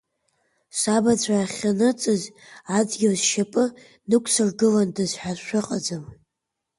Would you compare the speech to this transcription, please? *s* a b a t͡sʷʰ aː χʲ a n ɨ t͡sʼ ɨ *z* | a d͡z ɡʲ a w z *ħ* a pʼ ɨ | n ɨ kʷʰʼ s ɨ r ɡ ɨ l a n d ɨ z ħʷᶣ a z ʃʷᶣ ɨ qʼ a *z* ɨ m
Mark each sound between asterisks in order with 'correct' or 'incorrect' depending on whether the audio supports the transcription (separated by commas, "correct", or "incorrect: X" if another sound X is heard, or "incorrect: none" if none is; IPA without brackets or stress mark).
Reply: correct, correct, incorrect: ʃ, incorrect: d͡z